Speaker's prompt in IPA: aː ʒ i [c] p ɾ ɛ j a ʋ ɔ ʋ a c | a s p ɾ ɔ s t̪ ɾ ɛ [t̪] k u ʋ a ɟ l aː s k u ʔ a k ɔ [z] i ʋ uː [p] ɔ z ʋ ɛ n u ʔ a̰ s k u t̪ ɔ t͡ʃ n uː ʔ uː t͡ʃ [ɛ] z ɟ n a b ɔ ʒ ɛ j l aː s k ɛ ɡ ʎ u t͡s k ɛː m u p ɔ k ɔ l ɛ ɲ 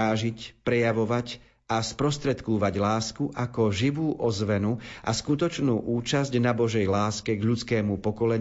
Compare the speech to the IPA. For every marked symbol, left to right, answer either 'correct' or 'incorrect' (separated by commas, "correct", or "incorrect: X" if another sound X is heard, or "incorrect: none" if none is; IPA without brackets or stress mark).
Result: correct, correct, incorrect: ʒ, incorrect: ʔ, incorrect: a